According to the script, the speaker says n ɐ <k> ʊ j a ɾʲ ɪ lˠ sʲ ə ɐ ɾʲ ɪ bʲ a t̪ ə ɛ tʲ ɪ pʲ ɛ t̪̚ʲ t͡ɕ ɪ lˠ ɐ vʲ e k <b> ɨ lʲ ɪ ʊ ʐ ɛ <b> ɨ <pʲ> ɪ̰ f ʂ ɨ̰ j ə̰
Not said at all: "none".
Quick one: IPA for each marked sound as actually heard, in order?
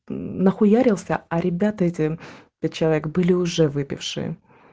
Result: x, b, v, pʲ

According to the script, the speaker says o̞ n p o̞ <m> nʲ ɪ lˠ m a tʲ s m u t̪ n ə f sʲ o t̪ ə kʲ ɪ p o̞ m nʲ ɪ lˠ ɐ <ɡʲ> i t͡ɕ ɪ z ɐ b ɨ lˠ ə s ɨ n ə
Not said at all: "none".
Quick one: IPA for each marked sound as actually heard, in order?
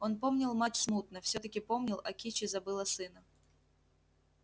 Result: m, kʲ

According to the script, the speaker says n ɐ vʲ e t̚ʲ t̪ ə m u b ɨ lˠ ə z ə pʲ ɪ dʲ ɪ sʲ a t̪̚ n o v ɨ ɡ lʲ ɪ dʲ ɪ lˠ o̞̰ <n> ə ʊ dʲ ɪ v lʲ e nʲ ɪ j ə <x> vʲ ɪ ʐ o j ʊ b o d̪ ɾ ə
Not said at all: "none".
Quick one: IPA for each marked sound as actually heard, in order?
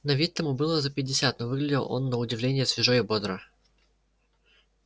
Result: nː, s

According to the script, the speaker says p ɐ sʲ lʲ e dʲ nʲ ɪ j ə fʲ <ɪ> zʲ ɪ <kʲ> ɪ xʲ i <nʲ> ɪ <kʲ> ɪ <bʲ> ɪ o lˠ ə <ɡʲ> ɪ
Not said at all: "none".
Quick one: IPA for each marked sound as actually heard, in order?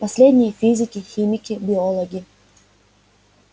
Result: i, kʲ, mʲ, kʲ, bʲ, ɡʲ

